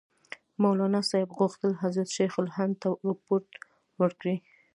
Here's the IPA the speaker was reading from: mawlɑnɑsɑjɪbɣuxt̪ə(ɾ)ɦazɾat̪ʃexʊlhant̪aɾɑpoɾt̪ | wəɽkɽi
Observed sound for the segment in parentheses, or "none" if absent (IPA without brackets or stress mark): l